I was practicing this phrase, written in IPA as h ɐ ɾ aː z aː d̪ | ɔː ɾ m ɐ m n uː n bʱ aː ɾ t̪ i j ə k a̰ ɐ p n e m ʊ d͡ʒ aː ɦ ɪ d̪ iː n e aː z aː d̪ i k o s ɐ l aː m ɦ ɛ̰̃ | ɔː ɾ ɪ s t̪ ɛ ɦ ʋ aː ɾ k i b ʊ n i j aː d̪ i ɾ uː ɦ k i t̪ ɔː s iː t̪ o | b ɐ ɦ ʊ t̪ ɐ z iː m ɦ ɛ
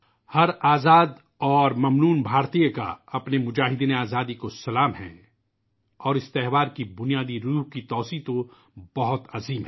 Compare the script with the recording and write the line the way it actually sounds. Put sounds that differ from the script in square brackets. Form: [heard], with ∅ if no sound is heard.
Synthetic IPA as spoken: h ɐ ɾ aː z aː d̪ | ɔː ɾ m ɐ m n uː n bʱ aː ɾ t̪ i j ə k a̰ ɐ p n e m ʊ d͡ʒ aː ɦ ɪ d̪ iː n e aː z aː d̪ i k o s ɐ l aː m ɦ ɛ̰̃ | ɔː ɾ ɪ s t̪ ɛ ɦ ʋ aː ɾ k i b ʊ n i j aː d̪ i ɾ uː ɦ k i t̪ ɔː s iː t̪ o | b ɐ ɦ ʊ t̪ ɐ z iː m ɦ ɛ